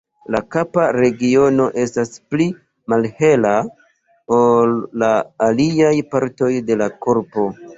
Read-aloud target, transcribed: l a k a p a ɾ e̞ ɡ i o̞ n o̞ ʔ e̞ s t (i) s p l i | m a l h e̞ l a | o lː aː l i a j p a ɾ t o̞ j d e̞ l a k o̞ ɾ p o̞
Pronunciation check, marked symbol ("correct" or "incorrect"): incorrect